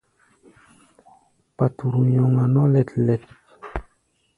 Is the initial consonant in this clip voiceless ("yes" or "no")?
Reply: yes